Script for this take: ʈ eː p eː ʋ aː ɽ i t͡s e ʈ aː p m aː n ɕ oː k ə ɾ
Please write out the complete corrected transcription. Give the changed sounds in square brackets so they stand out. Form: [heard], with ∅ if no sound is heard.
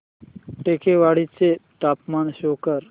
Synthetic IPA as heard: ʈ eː [k] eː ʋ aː ɽ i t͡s e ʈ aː p m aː n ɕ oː k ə ɾ